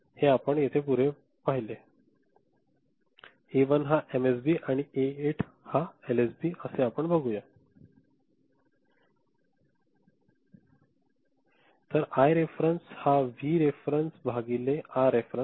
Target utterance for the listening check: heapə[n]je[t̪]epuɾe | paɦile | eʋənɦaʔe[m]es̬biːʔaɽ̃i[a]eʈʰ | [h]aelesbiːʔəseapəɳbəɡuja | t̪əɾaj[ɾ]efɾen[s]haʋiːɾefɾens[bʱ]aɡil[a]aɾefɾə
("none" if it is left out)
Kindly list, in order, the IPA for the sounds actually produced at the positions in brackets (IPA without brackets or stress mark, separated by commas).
ɳ, t̪ʰ, m, e, h, ɾ, s, bʱ, e